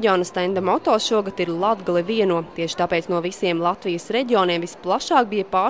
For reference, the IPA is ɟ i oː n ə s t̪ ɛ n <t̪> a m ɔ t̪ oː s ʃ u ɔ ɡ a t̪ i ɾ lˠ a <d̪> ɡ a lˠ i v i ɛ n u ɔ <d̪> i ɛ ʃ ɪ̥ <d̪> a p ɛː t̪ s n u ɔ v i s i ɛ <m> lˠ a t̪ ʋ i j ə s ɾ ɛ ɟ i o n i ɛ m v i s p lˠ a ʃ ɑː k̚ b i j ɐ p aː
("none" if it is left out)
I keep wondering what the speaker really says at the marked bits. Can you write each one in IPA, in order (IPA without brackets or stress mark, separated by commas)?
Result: d̪, d̪, t̪, t̪, m